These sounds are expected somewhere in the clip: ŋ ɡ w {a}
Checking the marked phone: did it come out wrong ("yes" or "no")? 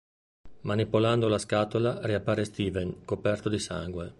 yes